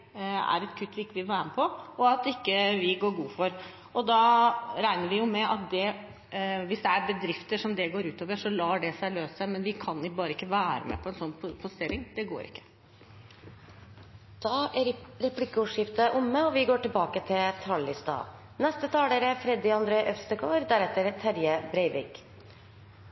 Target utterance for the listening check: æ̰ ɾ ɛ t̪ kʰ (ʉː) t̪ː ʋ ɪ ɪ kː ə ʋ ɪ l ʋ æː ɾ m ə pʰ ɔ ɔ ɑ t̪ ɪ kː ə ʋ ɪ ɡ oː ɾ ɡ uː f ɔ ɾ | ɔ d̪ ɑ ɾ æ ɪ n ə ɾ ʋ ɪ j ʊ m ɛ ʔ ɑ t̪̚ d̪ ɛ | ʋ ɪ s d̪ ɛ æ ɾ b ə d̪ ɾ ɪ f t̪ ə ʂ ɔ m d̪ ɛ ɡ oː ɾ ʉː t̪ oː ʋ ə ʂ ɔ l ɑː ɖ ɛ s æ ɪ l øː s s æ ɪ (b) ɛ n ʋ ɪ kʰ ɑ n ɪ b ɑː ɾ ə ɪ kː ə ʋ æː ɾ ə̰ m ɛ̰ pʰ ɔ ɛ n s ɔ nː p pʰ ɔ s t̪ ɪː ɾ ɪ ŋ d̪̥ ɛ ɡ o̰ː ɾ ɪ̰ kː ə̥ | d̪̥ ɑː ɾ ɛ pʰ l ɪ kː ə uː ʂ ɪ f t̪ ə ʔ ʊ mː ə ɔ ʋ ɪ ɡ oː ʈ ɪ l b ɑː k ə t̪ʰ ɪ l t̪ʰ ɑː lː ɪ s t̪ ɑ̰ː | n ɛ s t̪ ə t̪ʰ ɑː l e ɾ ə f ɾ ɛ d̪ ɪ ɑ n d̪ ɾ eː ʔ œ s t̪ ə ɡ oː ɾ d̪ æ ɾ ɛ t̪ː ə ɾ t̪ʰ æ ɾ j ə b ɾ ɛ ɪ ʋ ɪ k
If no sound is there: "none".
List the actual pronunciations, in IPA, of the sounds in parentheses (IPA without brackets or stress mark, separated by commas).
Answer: ʉ, m